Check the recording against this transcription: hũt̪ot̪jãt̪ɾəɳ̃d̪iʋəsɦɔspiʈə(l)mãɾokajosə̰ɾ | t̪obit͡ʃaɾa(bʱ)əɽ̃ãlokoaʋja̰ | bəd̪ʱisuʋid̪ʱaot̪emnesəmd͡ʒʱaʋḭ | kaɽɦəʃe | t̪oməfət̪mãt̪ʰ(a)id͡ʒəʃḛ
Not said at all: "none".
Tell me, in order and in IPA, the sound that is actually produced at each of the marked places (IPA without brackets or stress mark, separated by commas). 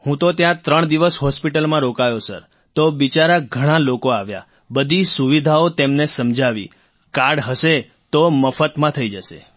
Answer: l, ɡʱ, ə